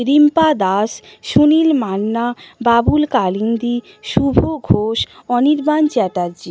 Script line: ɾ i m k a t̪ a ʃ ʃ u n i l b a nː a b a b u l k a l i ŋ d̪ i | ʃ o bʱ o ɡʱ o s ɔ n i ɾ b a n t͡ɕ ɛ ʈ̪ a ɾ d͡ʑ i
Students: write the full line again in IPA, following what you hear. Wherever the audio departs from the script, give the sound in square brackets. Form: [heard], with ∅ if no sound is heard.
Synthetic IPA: ɾ i m [p] a [d̪] a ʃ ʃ u n i l [m] a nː a b a b u l k a l i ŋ d̪ i | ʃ [u] bʱ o ɡʱ o [ʃ] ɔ n i ɾ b a n t͡ɕ ɛ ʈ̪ a ɾ d͡ʑ i